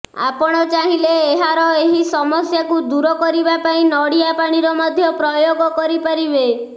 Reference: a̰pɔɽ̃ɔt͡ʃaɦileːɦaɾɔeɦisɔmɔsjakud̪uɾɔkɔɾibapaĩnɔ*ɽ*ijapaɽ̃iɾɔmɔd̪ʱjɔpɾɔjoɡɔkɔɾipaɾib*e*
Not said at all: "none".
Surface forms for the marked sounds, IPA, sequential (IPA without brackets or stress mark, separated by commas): ɽ, e